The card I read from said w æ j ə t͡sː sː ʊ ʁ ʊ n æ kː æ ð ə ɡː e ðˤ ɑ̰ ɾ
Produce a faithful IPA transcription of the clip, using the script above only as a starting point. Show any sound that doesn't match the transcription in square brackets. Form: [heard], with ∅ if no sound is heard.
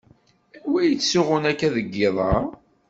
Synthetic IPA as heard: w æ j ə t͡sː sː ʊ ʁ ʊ n æ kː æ ð ə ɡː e ðˤ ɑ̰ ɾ